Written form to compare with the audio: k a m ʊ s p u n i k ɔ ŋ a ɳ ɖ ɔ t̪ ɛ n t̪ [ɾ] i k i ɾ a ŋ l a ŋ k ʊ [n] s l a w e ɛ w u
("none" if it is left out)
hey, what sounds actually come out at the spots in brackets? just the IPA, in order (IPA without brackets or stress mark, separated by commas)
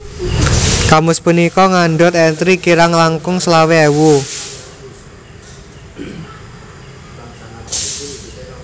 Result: ɾ, ŋ